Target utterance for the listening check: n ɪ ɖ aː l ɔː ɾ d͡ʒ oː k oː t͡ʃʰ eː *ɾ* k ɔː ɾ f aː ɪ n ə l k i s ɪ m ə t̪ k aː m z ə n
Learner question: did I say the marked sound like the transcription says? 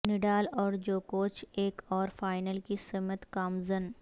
no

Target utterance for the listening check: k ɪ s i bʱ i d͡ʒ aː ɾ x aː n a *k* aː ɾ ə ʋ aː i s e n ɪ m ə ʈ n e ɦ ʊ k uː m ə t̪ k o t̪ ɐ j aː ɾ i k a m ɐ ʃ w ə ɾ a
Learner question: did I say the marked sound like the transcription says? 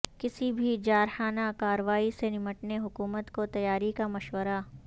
yes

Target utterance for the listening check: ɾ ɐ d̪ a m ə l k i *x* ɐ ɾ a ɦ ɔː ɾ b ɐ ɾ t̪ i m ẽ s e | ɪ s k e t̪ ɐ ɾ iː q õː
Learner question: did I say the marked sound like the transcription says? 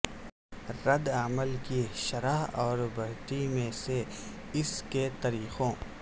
no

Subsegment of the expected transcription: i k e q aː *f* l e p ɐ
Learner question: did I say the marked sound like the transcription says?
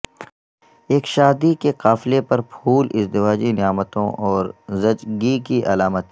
yes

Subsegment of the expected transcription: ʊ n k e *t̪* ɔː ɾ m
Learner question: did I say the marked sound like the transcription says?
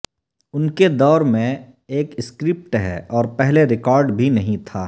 no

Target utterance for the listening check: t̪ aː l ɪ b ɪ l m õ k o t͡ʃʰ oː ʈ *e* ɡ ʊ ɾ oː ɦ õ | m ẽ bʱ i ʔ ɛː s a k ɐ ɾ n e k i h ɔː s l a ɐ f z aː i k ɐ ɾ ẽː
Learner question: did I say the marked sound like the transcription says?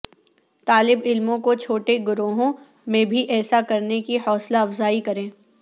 yes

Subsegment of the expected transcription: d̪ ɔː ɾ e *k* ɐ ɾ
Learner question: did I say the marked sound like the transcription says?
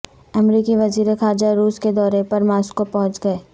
no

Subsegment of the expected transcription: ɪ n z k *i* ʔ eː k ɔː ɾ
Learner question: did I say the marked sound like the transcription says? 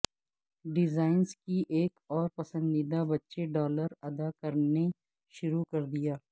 yes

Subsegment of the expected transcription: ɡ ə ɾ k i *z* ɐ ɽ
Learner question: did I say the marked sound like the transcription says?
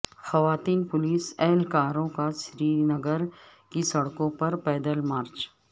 no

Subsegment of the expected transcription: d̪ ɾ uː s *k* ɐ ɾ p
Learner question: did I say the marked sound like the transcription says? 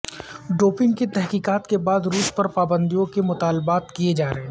no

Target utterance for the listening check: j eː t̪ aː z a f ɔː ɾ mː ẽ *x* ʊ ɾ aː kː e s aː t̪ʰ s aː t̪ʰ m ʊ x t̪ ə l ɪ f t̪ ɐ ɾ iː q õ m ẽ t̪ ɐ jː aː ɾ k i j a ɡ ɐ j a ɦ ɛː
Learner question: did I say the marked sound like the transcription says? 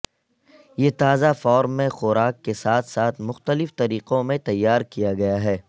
yes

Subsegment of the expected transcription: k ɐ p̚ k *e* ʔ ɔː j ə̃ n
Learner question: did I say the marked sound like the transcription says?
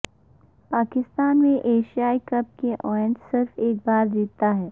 yes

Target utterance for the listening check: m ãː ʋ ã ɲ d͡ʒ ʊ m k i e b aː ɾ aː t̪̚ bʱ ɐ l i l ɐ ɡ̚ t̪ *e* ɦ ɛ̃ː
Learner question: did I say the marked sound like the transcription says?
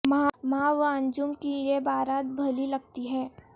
no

